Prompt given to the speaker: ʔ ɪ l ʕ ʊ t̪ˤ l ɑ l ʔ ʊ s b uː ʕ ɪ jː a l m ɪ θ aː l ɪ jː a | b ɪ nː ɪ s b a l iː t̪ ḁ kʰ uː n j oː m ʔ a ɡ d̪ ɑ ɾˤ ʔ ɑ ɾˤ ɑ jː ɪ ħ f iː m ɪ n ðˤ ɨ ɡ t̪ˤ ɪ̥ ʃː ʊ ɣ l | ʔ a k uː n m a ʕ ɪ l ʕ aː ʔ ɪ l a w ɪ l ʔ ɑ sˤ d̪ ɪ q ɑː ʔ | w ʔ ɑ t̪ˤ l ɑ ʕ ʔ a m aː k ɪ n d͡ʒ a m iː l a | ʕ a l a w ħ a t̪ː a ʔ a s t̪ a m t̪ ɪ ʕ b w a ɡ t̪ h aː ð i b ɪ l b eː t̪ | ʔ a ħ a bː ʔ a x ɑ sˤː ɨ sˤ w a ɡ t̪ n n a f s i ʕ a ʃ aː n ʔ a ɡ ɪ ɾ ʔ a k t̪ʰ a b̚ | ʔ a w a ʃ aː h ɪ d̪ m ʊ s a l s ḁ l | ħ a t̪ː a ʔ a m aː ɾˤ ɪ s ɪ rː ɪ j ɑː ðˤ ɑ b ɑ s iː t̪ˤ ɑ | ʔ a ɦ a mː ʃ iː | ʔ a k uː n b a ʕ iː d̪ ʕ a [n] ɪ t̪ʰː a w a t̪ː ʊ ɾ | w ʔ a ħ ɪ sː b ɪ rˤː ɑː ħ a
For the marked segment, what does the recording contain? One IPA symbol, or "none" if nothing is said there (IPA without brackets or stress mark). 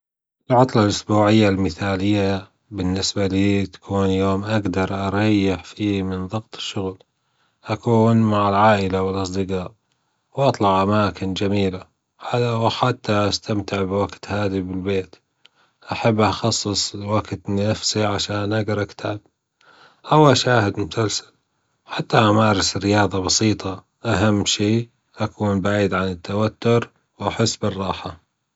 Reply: n